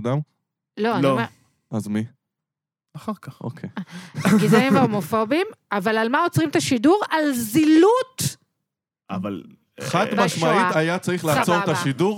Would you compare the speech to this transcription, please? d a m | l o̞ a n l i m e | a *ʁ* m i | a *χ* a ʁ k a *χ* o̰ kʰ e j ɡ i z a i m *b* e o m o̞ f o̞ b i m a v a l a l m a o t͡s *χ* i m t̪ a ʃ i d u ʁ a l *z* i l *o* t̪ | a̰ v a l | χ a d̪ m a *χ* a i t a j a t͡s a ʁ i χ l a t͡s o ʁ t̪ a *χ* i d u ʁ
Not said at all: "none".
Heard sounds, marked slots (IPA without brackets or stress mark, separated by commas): z, χ, χ, v, ʁ, z, u, ʃ, ʃ